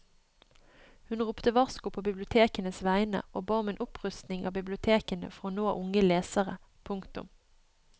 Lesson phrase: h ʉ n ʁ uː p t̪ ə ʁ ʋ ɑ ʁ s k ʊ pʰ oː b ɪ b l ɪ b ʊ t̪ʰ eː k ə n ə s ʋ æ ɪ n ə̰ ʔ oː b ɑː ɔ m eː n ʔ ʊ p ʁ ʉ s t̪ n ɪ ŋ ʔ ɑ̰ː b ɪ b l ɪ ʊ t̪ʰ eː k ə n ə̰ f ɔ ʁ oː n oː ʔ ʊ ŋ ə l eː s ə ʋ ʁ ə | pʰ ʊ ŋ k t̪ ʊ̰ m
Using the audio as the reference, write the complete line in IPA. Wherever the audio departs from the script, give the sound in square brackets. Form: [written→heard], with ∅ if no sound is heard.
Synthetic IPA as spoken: h ʉ n ʁ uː p t̪ ə [ʁ→∅] ʋ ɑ ʁ s k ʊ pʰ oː b ɪ b l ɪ [b→∅] ʊ t̪ʰ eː k ə n ə s ʋ æ ɪ n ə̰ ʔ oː b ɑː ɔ m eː n ʔ ʊ p ʁ ʉ s t̪ n ɪ ŋ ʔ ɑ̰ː b ɪ b l ɪ ʊ t̪ʰ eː k ə n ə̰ f ɔ ʁ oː n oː ʔ ʊ ŋ ə l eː s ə [ʋ→∅] ʁ ə | pʰ ʊ ŋ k t̪ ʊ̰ m

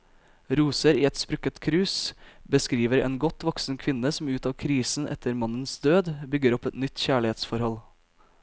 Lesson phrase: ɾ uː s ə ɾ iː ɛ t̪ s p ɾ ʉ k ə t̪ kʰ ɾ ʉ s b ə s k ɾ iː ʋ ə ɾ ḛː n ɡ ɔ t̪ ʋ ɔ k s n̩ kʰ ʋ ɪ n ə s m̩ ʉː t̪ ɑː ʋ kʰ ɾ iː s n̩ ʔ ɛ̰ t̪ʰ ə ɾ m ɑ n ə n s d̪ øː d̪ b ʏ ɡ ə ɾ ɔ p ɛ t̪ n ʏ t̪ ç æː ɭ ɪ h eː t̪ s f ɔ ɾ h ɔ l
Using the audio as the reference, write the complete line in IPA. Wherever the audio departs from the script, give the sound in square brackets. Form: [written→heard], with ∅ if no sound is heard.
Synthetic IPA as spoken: ɾ uː s ə ɾ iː ɛ t̪ s p ɾ ʉ k ə t̪ kʰ ɾ [ʉ→ʉː] s b ə s k ɾ iː ʋ ə ɾ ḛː n ɡ ɔ t̪ ʋ ɔ k s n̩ kʰ ʋ ɪ n ə s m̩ ʉː t̪ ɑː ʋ kʰ ɾ iː s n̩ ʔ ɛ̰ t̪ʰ ə ɾ m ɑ n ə n s d̪ øː d̪ b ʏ ɡ ə ɾ ɔ p ɛ t̪ n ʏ t̪ ç æː ɭ ɪ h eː t̪ s f ɔ ɾ h ɔ l

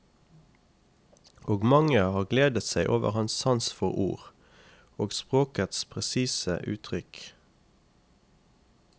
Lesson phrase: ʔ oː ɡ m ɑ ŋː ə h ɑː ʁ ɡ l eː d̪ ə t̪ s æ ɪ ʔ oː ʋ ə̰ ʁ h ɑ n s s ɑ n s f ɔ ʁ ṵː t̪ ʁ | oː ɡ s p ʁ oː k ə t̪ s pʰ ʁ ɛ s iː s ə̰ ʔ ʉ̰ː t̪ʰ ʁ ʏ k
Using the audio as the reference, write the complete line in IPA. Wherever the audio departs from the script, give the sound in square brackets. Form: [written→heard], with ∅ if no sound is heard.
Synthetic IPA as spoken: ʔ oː ɡ m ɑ [ŋː→ŋ] ə h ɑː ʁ ɡ l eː d̪ ə t̪ s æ ɪ ʔ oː ʋ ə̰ ʁ h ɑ n s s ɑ n s f ɔ ʁ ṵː [t̪→∅] ʁ | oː ɡ s p ʁ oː k ə t̪ s pʰ ʁ ɛ s iː s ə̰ ʔ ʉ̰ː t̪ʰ ʁ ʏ k

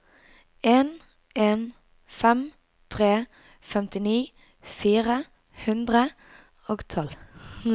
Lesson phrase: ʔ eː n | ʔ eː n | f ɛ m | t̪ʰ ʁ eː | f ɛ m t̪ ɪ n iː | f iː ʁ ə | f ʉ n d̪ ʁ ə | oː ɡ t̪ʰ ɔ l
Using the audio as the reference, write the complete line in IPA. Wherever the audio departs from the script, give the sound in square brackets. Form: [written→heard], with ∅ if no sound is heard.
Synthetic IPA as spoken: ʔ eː n | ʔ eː n | f ɛ m | t̪ʰ ʁ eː | f ɛ m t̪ ɪ n iː | f iː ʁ ə | [f→h] ʉ n d̪ ʁ ə | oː ɡ t̪ʰ ɔ l

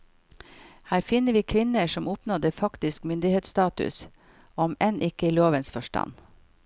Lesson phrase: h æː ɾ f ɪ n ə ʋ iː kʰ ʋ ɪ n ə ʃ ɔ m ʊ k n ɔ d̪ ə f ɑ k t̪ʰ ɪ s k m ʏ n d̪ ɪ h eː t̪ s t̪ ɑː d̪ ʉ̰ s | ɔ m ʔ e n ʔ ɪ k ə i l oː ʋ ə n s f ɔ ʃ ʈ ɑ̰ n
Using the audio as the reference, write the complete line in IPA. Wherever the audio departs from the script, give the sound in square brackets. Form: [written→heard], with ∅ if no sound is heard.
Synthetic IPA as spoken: h æː ɾ f ɪ n ə ʋ iː kʰ ʋ ɪ n ə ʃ ɔ m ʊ [k→p] n ɔ d̪ ə f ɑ k [t̪ʰ→t̪] ɪ s k m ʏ n d̪ ɪ h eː t̪ s t̪ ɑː [d̪→t̪] ʉ̰ s | ɔ m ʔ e n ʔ ɪ k ə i l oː ʋ ə n s f ɔ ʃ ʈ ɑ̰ n

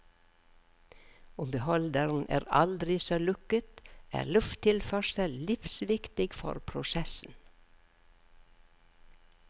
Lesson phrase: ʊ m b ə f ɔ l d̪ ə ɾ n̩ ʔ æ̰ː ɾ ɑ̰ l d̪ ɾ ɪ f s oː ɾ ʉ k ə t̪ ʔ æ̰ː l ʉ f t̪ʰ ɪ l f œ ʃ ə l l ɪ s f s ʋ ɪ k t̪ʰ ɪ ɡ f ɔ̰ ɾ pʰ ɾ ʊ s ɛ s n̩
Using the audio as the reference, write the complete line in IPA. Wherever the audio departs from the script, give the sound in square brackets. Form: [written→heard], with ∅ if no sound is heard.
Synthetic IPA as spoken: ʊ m b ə [f→h] ɔ l d̪ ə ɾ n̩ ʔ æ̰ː ɾ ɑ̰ l d̪ ɾ ɪ [f→∅] s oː [ɾ→l] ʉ k ə t̪ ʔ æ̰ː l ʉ f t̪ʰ ɪ l f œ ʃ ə l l ɪ [s→∅] f s ʋ ɪ k [t̪ʰ→t̪] ɪ ɡ f ɔ̰ ɾ pʰ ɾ ʊ s ɛ s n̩

